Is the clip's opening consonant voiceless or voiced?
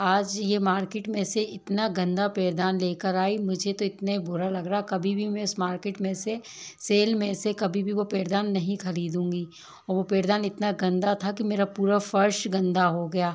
voiced